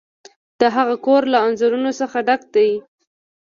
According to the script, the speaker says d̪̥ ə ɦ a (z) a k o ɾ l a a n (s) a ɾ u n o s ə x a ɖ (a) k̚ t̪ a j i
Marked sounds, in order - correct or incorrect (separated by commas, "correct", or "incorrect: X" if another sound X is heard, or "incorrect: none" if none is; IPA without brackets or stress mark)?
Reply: incorrect: ɣ, incorrect: z, correct